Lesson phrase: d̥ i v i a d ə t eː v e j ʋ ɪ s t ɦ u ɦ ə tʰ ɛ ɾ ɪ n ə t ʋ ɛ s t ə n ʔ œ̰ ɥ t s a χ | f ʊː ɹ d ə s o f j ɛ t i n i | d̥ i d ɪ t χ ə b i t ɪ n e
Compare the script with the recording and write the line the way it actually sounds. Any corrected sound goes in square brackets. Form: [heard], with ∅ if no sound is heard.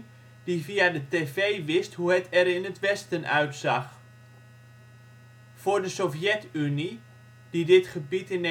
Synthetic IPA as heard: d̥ i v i a d ə t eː v e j ʋ ɪ s t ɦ u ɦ ə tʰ ɛ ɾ ɪ n ə t ʋ ɛ s t ə n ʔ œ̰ ɥ t s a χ | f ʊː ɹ d ə s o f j ɛ t [y] n i | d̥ i d ɪ t χ ə b i t ɪ n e